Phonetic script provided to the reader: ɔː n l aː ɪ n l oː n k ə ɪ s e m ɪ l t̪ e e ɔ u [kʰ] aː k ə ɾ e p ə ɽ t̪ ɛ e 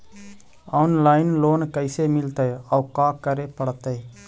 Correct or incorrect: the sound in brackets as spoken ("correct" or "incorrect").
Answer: incorrect